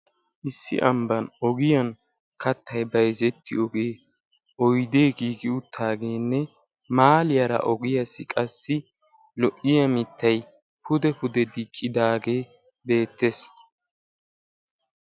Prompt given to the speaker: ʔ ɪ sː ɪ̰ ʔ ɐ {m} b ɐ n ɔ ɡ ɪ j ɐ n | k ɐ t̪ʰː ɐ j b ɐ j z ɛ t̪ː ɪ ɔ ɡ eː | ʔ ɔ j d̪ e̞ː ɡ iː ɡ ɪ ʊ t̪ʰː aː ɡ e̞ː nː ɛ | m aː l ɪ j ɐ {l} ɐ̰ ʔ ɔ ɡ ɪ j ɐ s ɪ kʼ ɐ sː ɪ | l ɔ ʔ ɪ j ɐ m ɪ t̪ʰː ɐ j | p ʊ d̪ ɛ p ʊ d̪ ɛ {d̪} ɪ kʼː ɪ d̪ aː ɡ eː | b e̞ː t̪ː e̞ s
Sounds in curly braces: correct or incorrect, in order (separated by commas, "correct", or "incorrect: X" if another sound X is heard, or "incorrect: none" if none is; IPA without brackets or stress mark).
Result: correct, incorrect: ɾ, correct